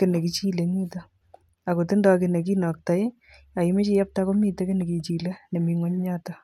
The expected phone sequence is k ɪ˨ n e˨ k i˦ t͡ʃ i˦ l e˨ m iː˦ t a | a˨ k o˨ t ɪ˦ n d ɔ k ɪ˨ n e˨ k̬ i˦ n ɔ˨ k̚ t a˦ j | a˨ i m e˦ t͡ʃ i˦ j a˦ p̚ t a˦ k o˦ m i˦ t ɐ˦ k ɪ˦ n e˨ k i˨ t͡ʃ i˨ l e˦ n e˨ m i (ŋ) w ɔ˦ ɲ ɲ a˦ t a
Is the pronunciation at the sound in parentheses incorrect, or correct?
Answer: correct